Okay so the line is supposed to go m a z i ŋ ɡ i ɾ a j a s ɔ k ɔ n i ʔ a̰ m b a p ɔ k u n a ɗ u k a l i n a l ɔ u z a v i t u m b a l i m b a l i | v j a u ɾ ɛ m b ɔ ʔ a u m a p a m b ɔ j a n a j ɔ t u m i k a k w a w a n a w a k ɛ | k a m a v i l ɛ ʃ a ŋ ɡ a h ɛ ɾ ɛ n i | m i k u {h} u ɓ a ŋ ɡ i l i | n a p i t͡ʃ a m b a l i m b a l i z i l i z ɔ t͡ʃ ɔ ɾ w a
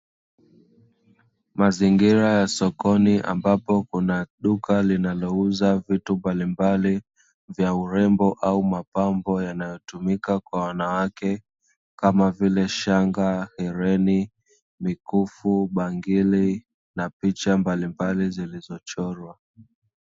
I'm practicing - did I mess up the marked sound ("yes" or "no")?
yes